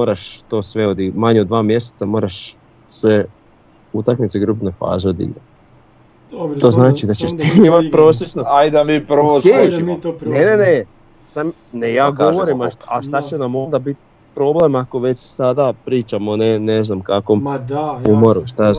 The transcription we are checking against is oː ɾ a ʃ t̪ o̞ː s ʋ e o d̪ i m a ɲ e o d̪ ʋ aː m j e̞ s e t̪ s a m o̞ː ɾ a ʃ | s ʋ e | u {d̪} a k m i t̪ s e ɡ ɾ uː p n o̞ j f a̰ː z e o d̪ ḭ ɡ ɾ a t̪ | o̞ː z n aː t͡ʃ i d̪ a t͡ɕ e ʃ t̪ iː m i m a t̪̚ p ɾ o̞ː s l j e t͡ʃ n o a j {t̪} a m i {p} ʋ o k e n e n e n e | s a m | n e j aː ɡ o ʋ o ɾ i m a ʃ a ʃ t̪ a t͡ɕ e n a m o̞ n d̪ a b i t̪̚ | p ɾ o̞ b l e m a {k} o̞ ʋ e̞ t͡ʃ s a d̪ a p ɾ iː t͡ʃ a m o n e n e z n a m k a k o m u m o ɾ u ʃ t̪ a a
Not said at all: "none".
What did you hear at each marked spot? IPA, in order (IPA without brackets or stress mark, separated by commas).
t̪, d̪, p, k